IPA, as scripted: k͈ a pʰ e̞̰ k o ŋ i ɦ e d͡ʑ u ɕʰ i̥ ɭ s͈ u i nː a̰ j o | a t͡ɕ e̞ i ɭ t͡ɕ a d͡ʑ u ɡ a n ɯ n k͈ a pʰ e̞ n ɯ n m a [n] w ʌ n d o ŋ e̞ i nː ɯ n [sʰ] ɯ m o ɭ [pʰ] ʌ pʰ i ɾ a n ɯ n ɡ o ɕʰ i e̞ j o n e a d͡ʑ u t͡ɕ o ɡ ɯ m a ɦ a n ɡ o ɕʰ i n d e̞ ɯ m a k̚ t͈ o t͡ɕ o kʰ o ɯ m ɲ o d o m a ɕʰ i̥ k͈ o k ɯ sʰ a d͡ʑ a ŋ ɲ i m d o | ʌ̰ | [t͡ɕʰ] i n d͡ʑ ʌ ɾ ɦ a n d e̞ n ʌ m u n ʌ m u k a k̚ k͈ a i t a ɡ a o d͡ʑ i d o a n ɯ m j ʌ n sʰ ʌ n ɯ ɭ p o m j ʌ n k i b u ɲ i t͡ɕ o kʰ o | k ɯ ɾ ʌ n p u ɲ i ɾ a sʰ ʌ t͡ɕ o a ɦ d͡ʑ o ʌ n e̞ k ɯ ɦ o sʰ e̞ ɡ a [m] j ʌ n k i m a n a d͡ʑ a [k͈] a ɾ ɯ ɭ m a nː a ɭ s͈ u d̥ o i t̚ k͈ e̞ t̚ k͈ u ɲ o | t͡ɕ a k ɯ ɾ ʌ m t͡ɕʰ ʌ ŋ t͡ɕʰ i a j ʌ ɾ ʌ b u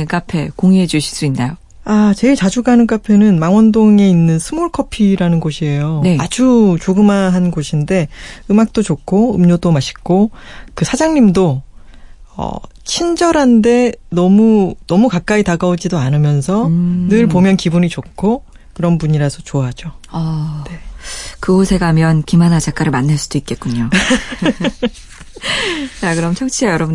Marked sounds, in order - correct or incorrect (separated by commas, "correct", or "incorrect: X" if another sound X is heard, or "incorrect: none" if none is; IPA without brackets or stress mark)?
incorrect: ŋ, correct, incorrect: kʰ, correct, correct, correct